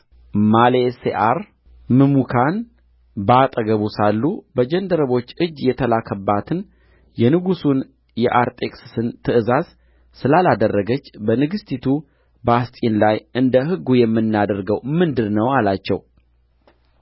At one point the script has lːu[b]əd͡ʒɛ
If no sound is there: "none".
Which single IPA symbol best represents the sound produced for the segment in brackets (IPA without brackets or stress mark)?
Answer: b